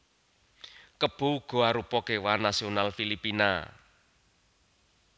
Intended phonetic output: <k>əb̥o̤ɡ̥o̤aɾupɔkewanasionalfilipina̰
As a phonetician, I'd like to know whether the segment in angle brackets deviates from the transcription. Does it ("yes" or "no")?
no